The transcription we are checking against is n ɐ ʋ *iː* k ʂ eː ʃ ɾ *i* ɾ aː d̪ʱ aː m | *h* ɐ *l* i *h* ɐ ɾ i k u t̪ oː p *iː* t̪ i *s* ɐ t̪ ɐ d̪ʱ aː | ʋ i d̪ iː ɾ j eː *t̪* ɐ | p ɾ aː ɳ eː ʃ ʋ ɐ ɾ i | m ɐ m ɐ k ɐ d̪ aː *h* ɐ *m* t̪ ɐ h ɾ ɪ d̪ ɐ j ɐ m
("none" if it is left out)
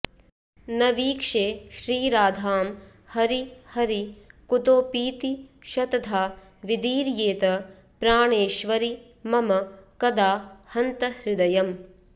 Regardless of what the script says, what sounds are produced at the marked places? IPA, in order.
iː, iː, h, ɾ, h, iː, ʃ, t̪, h, n

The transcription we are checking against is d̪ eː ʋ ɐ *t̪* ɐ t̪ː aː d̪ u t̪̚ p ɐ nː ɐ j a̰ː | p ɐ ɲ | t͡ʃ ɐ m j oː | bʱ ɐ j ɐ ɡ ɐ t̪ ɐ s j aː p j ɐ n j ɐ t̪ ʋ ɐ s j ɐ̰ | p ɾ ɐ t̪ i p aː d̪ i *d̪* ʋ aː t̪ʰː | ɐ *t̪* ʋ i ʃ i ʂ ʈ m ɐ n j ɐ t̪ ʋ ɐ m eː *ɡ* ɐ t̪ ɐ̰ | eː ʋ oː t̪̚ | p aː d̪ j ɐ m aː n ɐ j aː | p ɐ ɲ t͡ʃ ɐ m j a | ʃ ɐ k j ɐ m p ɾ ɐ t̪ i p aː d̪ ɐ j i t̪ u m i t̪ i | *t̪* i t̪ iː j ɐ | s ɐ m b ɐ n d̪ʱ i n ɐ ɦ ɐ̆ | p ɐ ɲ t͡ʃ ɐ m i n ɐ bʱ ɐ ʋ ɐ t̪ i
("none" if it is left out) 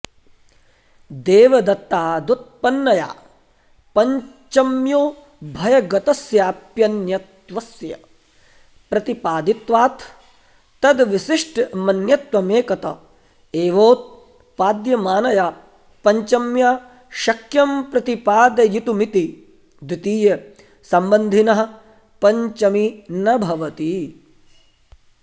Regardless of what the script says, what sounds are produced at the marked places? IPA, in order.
d̪, t̪, d̪, k, d̪

